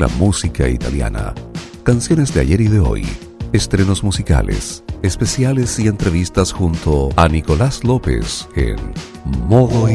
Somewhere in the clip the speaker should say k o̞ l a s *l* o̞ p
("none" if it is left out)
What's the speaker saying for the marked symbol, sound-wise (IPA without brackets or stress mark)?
l